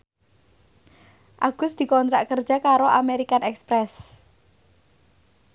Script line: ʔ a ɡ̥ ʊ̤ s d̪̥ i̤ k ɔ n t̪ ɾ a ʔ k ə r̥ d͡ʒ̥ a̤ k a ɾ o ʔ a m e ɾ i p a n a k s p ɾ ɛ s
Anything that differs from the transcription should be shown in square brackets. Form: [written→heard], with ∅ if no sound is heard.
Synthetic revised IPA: ʔ a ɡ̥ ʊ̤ s d̪̥ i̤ k ɔ n t̪ ɾ a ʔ k ə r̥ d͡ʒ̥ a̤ k a ɾ o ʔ a m e ɾ i [p→k] a n [a→ɛ] k s p ɾ ɛ s